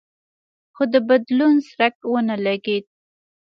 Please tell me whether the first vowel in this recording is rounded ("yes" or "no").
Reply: yes